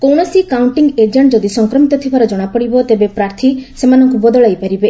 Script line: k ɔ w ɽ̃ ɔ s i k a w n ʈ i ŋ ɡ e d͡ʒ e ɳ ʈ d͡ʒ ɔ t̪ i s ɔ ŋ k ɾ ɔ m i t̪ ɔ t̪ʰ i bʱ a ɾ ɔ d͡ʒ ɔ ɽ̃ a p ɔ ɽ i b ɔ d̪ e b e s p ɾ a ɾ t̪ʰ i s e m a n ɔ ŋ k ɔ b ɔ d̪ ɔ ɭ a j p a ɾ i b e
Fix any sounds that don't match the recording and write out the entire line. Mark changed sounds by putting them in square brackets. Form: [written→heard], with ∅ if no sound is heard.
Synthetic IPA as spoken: k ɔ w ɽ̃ ɔ s i k a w [n→ɳ] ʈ i ŋ ɡ e d͡ʒ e ɳ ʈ d͡ʒ ɔ [t̪→d̪] i s ɔ ŋ k ɾ ɔ m i t̪ ɔ t̪ʰ i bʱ a ɾ ɔ d͡ʒ ɔ ɽ̃ a p ɔ ɽ i b ɔ [d̪→t̪] e b e [s→∅] p ɾ a ɾ t̪ʰ i s e m a n ɔ ŋ k [ɔ→u] b ɔ d̪ ɔ ɭ a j p a ɾ i b e